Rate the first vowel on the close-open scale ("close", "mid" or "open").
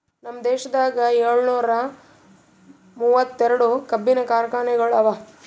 open